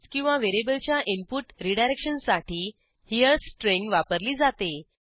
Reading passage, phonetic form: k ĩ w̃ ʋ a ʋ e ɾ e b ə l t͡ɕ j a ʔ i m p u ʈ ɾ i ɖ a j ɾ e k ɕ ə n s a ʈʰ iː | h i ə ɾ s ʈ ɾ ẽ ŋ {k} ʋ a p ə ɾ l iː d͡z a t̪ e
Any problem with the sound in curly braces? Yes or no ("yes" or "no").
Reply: yes